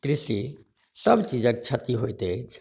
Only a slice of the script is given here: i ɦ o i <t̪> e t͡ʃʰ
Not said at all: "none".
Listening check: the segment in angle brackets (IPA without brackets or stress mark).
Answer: t̪